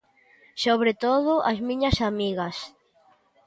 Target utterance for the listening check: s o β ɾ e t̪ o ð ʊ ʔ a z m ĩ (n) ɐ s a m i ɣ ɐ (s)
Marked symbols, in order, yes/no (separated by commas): no, yes